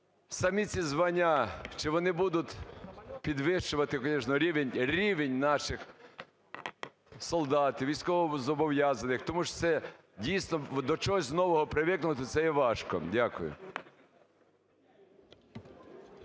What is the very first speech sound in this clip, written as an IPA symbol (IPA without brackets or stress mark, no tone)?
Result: s